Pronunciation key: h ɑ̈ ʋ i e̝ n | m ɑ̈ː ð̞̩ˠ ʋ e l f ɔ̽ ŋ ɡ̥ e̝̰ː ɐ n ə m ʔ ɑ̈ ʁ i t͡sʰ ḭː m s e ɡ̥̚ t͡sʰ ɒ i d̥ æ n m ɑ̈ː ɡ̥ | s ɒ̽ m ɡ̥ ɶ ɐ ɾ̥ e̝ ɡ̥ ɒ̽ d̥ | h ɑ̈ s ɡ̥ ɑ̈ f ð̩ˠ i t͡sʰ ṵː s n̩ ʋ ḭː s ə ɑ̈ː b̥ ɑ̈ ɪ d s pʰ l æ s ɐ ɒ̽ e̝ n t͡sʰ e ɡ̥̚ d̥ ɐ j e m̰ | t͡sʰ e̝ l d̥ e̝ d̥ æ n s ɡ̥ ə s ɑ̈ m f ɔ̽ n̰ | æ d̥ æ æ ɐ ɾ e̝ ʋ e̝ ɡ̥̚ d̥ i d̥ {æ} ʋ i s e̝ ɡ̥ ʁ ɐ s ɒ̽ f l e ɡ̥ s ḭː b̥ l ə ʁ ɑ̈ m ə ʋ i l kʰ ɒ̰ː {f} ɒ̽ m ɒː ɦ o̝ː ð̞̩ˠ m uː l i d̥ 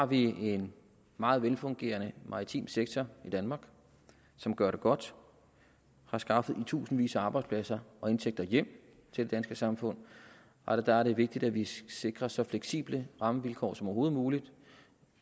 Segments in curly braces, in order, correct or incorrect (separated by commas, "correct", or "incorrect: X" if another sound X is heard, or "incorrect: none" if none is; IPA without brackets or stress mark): correct, incorrect: s